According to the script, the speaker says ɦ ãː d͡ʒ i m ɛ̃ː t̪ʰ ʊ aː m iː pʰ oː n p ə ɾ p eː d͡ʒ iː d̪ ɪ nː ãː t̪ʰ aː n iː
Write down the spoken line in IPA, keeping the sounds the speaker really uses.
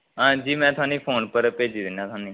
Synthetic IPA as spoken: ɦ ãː d͡ʒ iː m ɛ̃ː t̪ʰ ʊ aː n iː pʰ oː n p ə ɾ p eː d͡ʒ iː d̪ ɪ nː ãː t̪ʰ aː n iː